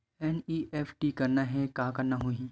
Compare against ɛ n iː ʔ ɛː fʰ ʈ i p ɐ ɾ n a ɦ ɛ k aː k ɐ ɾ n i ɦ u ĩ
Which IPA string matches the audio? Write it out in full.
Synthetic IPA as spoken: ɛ n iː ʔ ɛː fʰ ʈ i k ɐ ɾ n a ɦ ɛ k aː k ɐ ɾ n a ɦ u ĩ